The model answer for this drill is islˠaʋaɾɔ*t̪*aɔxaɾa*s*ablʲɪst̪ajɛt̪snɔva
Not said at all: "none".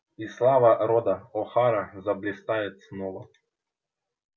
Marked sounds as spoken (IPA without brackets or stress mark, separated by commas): d̪, z